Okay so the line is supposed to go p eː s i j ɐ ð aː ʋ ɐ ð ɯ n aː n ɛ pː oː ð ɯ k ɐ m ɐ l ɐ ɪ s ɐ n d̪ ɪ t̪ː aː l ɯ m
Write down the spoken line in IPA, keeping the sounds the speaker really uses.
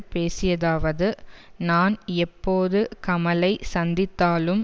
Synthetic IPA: p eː s ɪ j ɐ ð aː ʋ ɐ ð ɯ n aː n ɛ pː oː ð ɯ k ɐ m ɐ l ɐ ɪ s ɐ n d̪ ɪ t̪ː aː l ɯ m